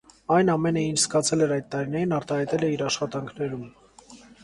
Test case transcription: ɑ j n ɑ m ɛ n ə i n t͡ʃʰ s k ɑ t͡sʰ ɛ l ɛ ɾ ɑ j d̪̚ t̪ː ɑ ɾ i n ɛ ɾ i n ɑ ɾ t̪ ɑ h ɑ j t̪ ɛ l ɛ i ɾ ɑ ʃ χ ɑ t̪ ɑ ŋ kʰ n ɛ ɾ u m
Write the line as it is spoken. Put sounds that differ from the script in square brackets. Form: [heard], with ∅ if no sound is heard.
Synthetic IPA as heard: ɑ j n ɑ m ɛ n ə i n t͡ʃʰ s k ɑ t͡sʰ ɛ l ɛ ɾ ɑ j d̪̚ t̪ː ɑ ɾ i n ɛ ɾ i n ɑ ɾ t̪ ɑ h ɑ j t̪ ɛ l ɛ i ɾ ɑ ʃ χ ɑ t̪ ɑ ŋ kʰ n ɛ ɾ u m